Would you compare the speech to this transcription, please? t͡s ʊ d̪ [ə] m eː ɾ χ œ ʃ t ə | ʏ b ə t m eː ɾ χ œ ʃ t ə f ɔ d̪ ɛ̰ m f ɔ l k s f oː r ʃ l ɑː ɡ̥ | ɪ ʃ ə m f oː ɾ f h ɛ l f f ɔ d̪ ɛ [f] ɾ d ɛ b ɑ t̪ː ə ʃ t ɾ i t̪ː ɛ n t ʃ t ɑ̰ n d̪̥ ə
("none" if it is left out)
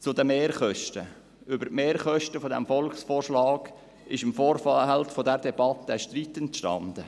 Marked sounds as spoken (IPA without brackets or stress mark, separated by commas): ə, none